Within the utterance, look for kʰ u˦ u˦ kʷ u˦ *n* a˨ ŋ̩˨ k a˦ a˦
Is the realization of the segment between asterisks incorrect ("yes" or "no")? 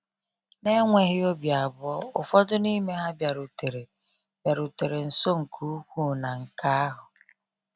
no